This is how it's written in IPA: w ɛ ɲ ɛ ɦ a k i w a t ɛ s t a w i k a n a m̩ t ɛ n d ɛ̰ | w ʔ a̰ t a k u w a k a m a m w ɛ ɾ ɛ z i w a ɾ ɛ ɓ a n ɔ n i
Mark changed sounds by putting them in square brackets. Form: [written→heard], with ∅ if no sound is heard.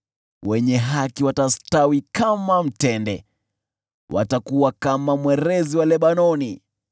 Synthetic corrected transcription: w ɛ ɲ ɛ ɦ a k i w a t [ɛ→a] s t a w i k a [n→m] a m̩ t ɛ n d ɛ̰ | w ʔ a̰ t a k u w a k a m a m w ɛ ɾ ɛ z i w a [ɾ→l] ɛ ɓ a n ɔ n i

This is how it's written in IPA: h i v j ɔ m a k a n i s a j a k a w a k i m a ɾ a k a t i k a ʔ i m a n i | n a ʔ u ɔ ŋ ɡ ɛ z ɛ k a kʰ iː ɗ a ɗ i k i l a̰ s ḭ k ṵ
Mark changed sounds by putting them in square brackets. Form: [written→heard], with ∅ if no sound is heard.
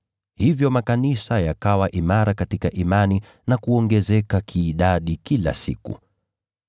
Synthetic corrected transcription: h i v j ɔ m a k a n i s a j a k a w a [k→ʔ] i m a ɾ a k a t i k a ʔ i m a n i | n a [ʔ→k] u ɔ ŋ ɡ ɛ z ɛ k a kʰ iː ɗ a ɗ i k i l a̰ s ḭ k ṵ

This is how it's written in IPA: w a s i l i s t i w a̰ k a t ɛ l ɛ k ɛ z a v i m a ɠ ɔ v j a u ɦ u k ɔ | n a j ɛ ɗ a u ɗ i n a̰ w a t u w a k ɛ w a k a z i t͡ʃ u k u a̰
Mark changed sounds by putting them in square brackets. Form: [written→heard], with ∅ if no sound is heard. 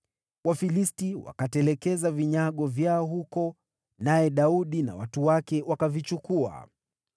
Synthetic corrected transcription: w a [s→f] i l i s t i w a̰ k a t ɛ l ɛ k ɛ z a v i [m→ɲ] a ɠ ɔ v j a [u→ɔ] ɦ u k ɔ | n a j ɛ ɗ a u ɗ i n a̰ w a t u w a k ɛ w a k a [z→v] i t͡ʃ u k u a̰

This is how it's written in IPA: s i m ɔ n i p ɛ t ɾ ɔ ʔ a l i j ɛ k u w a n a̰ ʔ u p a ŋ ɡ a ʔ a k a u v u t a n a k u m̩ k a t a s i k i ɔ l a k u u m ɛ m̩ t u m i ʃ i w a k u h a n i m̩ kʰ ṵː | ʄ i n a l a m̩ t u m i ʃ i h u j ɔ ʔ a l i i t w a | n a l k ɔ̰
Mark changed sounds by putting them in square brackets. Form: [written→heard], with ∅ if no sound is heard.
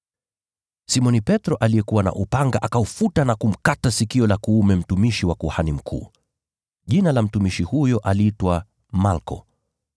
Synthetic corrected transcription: s i m ɔ n i p ɛ t ɾ ɔ ʔ a l i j ɛ k u w a n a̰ ʔ u p a ŋ ɡ a ʔ a k a u [v→f] u t a n a k u m̩ k a t a s i k i ɔ l a k u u m ɛ m̩ t u m i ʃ i w a k u h a n i m̩ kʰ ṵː | ʄ i n a l a m̩ t u m i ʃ i h u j ɔ ʔ a l i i t w a | [n→m] a l k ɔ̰

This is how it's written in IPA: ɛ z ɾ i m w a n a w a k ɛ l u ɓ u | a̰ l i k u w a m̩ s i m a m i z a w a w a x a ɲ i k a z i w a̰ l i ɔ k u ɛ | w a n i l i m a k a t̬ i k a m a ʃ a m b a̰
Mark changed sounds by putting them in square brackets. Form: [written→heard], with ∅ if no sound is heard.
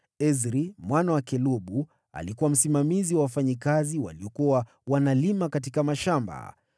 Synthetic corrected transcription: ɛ z ɾ i m w a n a w a k ɛ l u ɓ u | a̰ l i k u w a m̩ s i m a m i z [a→i] w a w a [x→f] a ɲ i k a z i w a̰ l i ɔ k u [ɛ→a] | w a n [i→a] l i m a k a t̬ i k a m a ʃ a m b a̰

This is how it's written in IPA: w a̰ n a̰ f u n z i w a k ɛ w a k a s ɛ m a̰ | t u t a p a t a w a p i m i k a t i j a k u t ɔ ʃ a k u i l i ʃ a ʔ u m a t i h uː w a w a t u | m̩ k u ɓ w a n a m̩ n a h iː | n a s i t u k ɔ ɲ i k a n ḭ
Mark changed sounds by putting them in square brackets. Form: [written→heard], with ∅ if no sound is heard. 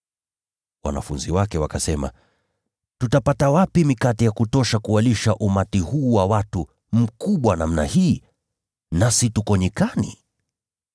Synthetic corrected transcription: w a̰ n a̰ f u n z i w a k ɛ w a k a s ɛ m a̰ | t u t a p a t a w a p i m i k a t i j a k u t ɔ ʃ a k u [i→a] l i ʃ a ʔ u m a t i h uː w a w a t u | m̩ k u ɓ w a n a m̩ n a h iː | n a s i t u k ɔ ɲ i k a n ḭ

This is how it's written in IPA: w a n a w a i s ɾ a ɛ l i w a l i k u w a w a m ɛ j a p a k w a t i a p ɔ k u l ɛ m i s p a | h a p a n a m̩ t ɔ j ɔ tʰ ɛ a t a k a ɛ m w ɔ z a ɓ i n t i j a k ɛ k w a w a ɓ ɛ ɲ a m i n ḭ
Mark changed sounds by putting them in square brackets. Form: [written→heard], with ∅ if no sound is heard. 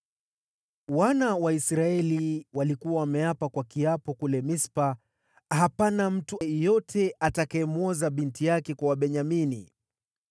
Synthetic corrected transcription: w a n a w a i s ɾ a ɛ l i w a l i k u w a w a m ɛ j a p a k w a [t→k] i a p ɔ k u l ɛ m i s p a | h a p a n a m̩ t [ɔ→u] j ɔ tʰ ɛ a t a k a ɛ m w ɔ z a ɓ i n t i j a k ɛ k w a w a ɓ ɛ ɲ a m i n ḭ

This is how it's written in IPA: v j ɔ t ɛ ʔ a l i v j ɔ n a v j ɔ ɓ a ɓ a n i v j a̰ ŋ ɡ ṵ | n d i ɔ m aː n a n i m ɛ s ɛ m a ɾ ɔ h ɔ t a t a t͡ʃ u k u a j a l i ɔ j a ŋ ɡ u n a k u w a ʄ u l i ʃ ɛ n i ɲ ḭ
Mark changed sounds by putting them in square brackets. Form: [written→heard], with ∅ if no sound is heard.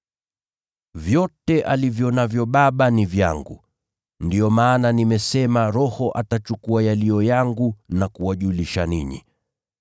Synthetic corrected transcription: v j ɔ t ɛ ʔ a l i v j ɔ n a v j ɔ ɓ a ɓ a n i v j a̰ ŋ ɡ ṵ | n d i ɔ m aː n a n i m ɛ s ɛ m a ɾ ɔ h ɔ [t→ʔ] a t a t͡ʃ u k u a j a l i ɔ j a ŋ ɡ u n a k u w a ʄ u l i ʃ [ɛ→a] n i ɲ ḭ

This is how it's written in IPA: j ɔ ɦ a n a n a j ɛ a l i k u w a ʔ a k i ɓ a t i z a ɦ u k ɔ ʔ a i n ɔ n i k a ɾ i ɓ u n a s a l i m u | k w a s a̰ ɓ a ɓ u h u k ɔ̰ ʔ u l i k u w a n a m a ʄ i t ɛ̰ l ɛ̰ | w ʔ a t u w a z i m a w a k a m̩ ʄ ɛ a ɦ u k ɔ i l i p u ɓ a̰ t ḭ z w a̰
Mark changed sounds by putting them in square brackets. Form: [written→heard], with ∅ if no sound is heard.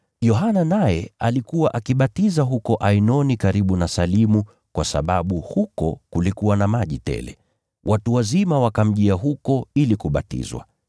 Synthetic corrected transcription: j ɔ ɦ a n a n a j ɛ a l i k u w a ʔ a k i ɓ a t i z a ɦ u k ɔ ʔ a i n ɔ n i k a ɾ i ɓ u n a s a l i m u | k w a s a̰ ɓ a ɓ u h u k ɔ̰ [ʔ→k] u l i k u w a n a m a ʄ i t ɛ̰ l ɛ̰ | w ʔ a t u w a z i m a w a k a m̩ ʄ [ɛ→i] a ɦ u k ɔ i l i [p→k] u ɓ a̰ t ḭ z w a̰

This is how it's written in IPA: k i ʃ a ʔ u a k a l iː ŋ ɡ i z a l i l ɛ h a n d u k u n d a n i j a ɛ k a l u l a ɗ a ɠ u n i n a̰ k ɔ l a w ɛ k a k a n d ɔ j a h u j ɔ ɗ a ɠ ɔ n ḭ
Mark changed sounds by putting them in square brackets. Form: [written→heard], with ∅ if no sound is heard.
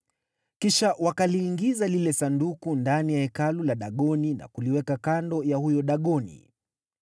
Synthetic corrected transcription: k i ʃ a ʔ [u→w] a k a l iː ŋ ɡ i z a l i l ɛ [h→s] a n d u k u n d a n i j a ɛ k a l u l a ɗ a ɠ [u→ɔ] n i n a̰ k [ɔ→u] l [a→i] w ɛ k a k a n d ɔ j a h u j ɔ ɗ a ɠ ɔ n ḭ

